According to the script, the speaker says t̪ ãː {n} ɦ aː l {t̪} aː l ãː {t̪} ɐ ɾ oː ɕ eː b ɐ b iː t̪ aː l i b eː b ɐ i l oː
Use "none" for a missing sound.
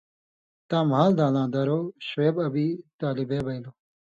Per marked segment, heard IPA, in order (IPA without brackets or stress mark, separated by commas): m, d̪, d̪